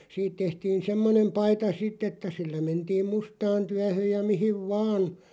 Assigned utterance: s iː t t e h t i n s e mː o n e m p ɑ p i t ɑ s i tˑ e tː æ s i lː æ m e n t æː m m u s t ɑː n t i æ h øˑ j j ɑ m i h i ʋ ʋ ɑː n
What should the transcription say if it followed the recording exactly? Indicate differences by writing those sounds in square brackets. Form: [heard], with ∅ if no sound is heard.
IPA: s iː t t e h t [iː] n s e mː o n e m p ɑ [∅] i t ɑ s i tˑ e tː æ s i lː æ m e n t [iː] m m u s t ɑː n t [y] æ h øˑ j j ɑ m i h i ʋ ʋ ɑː n